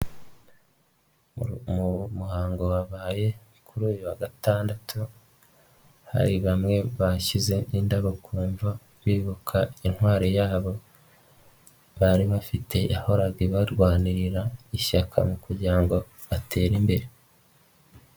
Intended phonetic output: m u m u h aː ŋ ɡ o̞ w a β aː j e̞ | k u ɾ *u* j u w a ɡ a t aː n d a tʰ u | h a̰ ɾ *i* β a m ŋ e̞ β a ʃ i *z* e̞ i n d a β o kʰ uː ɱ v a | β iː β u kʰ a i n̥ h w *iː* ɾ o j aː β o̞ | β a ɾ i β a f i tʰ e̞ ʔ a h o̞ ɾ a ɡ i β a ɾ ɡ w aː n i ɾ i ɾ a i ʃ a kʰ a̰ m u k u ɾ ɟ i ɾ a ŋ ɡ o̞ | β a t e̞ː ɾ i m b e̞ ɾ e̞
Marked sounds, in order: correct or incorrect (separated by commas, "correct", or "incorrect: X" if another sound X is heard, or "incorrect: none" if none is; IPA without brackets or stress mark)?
incorrect: uː, correct, correct, incorrect: aː